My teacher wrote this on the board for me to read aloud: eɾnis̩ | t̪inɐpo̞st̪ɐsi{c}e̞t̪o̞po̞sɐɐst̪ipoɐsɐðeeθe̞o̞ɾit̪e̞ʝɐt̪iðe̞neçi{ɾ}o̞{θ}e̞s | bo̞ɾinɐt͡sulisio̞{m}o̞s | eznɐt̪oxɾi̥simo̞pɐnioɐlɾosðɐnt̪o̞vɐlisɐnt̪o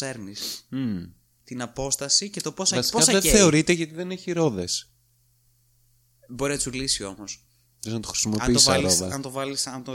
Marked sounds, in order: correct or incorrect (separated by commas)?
correct, correct, incorrect, correct